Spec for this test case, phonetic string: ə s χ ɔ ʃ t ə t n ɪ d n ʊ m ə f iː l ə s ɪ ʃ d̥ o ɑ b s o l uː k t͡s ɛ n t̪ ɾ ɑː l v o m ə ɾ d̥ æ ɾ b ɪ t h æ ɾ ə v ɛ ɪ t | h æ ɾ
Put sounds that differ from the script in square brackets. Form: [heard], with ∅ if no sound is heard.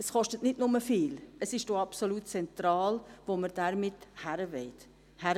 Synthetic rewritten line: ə s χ ɔ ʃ t ə t n ɪ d n ʊ m ə f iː l ə s ɪ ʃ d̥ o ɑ [p] s o l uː [t] t͡s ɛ n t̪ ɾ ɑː l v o m ə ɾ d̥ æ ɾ [m] ɪ t h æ ɾ ə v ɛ ɪ t | h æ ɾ